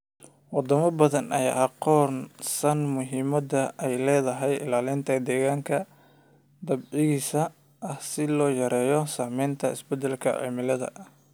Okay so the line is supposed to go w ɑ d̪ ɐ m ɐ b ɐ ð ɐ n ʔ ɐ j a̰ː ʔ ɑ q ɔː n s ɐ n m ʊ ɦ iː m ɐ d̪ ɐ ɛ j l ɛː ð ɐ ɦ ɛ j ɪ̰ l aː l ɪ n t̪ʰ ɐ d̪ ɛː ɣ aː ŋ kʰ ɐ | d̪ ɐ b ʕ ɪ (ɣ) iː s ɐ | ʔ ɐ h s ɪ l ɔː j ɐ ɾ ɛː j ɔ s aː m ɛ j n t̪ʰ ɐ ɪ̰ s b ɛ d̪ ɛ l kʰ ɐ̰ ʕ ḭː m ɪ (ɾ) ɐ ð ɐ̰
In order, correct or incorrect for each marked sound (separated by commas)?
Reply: correct, incorrect